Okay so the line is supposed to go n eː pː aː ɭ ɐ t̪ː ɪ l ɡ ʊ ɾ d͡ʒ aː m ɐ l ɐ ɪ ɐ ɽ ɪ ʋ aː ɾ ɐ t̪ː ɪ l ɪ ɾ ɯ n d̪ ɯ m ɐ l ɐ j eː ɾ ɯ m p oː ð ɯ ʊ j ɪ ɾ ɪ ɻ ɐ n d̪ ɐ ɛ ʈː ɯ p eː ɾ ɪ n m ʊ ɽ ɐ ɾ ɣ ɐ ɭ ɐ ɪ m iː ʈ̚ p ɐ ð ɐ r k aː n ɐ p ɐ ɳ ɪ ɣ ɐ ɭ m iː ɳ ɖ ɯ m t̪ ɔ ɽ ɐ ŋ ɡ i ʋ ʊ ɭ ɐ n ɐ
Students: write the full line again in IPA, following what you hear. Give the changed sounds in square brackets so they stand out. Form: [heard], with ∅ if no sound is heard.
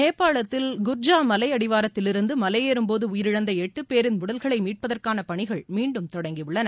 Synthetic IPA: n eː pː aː ɭ ɐ t̪ː ɪ l ɡ ʊ ɾ d͡ʒ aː m ɐ l ɐ ɪ ɐ ɽ ɪ ʋ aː ɾ ɐ t̪ː ɪ l ɪ ɾ ɯ n d̪ ɯ m ɐ l ɐ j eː ɾ ɯ m p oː ð ɯ ʊ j ɪ ɾ ɪ ɻ ɐ n d̪ ɐ ɛ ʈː ɯ p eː ɾ ɪ n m ʊ ɽ ɐ [l] ɣ ɐ ɭ ɐ ɪ m iː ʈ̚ p ɐ ð ɐ r k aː n ɐ p ɐ ɳ ɪ ɣ ɐ ɭ m iː ɳ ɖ ɯ m t̪ ɔ ɽ ɐ ŋ ɡ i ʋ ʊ [ɭː] ɐ n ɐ

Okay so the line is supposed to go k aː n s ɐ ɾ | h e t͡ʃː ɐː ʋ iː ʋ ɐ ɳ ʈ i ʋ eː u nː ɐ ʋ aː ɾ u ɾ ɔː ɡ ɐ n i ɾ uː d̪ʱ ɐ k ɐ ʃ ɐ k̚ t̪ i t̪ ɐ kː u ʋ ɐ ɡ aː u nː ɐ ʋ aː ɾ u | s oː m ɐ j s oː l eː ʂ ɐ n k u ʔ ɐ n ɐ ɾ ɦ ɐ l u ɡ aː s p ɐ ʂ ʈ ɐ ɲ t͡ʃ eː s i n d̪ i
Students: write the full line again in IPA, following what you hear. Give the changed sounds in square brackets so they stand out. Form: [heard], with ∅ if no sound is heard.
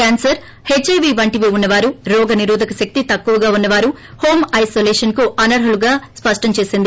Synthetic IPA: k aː n s ɐ ɾ | h e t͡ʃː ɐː ʋ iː ʋ ɐ ɳ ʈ i ʋ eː u nː ɐ ʋ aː ɾ u ɾ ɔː ɡ ɐ n i ɾ uː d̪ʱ ɐ k ɐ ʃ ɐ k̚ t̪ i t̪ ɐ kː u ʋ ɐ ɡ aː u nː ɐ ʋ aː ɾ u | [h] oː m ɐ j s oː l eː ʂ ɐ n k u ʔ ɐ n ɐ ɾ ɦ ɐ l u ɡ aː s p ɐ ʂ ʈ ɐ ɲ t͡ʃ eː s i n d̪ i

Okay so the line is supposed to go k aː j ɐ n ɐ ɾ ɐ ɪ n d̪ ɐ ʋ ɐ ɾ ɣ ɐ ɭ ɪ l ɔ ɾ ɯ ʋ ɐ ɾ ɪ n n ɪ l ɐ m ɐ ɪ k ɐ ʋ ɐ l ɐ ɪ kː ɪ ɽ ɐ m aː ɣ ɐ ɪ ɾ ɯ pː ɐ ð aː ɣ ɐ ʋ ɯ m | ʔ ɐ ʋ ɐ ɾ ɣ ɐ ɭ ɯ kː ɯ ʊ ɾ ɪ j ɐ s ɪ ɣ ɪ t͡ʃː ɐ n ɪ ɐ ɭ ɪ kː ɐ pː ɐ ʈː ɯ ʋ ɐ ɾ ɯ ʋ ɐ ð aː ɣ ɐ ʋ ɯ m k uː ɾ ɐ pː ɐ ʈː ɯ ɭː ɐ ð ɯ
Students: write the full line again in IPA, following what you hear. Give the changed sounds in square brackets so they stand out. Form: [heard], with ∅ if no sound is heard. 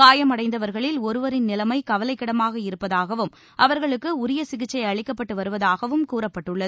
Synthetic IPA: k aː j ɐ [m] ɐ [ɽ] ɐ ɪ n d̪ ɐ ʋ ɐ ɾ ɣ ɐ ɭ ɪ l ɔ ɾ ɯ ʋ ɐ ɾ ɪ n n ɪ l ɐ m ɐ ɪ k ɐ ʋ ɐ l ɐ ɪ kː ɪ ɽ ɐ m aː ɣ ɐ ɪ ɾ ɯ pː ɐ ð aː ɣ ɐ ʋ ɯ m | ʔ ɐ ʋ ɐ ɾ ɣ ɐ ɭ ɯ kː ɯ ʊ ɾ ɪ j ɐ s ɪ ɣ ɪ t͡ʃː ɐ [∅] ɪ ɐ ɭ ɪ kː ɐ pː ɐ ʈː ɯ ʋ ɐ ɾ ɯ ʋ ɐ ð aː ɣ ɐ ʋ ɯ m k uː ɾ ɐ pː ɐ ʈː ɯ ɭː ɐ ð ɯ

